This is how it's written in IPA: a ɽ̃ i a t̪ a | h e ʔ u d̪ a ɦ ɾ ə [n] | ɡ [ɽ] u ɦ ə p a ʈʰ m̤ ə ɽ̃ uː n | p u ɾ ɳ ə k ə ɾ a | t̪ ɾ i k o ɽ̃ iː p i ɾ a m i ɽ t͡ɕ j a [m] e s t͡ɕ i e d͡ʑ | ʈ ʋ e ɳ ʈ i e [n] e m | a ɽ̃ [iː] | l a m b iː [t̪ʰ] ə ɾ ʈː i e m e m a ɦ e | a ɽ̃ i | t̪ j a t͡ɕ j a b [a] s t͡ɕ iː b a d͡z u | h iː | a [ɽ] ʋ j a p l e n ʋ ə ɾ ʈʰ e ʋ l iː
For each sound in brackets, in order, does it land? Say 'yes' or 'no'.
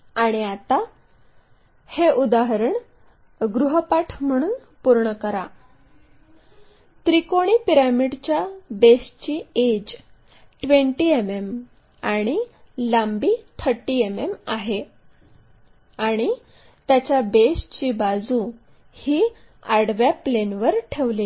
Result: no, no, no, no, no, yes, no, yes

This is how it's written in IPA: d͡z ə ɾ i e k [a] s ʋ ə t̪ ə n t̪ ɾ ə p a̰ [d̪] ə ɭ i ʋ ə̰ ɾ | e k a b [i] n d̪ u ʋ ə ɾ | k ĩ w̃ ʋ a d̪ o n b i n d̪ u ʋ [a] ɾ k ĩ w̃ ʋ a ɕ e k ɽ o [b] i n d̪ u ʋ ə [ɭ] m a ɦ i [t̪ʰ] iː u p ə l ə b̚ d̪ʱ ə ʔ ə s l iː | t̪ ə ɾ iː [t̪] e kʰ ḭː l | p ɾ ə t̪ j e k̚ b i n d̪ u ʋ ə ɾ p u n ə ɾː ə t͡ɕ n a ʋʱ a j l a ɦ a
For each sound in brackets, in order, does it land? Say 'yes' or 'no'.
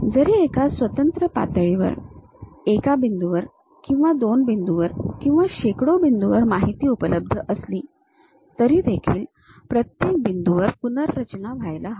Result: yes, no, yes, no, yes, no, no, no

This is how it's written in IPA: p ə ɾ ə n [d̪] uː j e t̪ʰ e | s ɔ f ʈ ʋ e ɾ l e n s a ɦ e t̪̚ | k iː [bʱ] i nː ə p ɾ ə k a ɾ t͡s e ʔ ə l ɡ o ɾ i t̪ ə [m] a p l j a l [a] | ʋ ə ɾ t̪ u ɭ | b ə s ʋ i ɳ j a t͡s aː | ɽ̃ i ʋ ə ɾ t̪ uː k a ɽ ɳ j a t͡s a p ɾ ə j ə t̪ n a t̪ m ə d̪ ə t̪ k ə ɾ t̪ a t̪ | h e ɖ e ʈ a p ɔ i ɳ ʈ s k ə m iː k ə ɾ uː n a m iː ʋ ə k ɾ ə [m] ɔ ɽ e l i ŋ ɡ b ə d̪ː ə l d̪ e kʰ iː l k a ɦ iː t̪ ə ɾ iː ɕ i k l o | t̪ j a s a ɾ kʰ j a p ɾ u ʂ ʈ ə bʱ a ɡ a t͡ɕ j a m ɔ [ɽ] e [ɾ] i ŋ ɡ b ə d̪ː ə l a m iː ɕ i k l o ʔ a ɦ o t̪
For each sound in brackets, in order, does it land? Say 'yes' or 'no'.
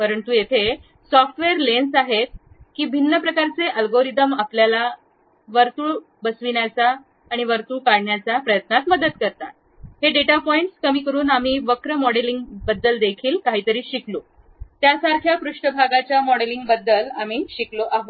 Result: no, yes, yes, yes, yes, yes, no

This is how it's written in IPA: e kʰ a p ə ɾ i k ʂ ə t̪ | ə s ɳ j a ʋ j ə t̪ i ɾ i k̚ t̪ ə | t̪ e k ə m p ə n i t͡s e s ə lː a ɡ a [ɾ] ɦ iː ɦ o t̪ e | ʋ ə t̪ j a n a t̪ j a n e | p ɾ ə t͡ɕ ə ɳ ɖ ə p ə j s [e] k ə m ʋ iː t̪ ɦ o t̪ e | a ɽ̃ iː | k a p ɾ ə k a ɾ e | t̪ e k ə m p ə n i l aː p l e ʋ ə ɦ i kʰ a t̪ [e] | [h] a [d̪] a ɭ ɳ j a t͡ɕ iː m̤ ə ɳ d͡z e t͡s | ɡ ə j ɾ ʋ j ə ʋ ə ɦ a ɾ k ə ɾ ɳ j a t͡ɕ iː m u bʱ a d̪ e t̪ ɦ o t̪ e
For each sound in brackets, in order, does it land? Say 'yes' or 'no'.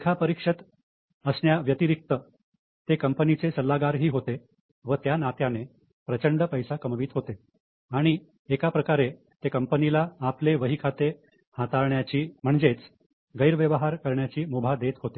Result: yes, no, yes, yes, no

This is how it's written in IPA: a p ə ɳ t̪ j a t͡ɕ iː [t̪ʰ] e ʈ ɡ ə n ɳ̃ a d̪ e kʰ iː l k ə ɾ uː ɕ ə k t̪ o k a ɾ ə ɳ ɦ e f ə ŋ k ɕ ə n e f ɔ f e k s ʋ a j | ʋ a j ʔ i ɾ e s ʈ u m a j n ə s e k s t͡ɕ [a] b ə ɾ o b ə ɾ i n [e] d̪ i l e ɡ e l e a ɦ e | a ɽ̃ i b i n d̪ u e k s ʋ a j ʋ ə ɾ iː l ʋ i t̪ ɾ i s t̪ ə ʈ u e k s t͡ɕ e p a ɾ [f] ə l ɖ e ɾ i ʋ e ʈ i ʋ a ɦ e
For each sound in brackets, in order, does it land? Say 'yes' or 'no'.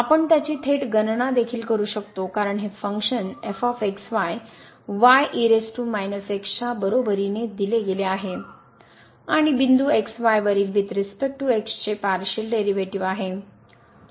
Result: yes, yes, yes, no

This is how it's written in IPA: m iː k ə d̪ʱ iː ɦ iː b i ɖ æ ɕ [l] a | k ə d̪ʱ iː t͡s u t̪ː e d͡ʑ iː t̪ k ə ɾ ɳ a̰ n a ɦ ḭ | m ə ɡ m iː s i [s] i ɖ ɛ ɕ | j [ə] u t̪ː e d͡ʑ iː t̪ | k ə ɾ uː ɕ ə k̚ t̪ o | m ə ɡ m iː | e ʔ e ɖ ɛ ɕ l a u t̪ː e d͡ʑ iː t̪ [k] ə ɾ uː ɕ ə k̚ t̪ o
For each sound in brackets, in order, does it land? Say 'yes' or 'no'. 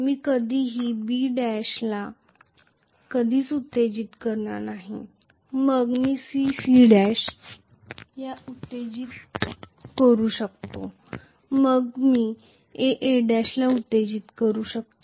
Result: yes, yes, no, yes

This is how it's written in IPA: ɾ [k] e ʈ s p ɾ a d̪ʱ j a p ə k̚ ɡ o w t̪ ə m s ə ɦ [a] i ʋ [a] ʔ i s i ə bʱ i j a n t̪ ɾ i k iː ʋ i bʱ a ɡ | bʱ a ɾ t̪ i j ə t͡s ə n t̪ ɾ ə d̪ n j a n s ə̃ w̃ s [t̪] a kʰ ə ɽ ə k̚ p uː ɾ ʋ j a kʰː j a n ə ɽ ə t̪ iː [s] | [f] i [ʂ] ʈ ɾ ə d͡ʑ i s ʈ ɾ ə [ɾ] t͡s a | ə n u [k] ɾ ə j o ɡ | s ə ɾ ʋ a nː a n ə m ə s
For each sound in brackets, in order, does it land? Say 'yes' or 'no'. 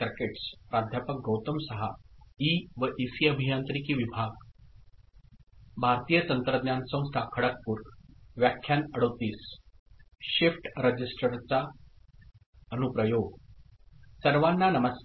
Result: yes, yes, no, no, yes, no, no, yes, no

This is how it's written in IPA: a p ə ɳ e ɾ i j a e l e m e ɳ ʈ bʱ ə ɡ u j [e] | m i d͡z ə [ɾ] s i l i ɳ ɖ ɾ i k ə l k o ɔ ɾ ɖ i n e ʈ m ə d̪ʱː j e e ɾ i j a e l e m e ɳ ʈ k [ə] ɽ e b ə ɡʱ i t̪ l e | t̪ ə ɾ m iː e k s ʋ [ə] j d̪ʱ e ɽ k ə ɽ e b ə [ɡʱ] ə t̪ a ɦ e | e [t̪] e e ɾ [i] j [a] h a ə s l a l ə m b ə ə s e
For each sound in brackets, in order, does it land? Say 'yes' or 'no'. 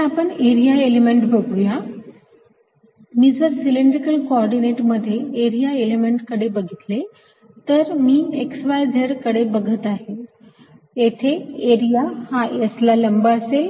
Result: no, yes, yes, no, yes, no, yes, yes

